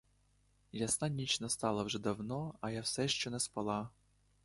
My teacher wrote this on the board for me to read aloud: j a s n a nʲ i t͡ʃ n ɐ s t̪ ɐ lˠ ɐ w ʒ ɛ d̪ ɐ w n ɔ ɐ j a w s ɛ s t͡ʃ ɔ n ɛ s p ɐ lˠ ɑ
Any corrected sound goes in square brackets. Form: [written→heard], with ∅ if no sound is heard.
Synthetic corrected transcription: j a s n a nʲ i t͡ʃ n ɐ s t̪ [ɐ→ɑ] lˠ ɐ w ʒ ɛ d̪ ɐ w n ɔ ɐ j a w s ɛ [s→ʃ] t͡ʃ ɔ n ɛ s p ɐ lˠ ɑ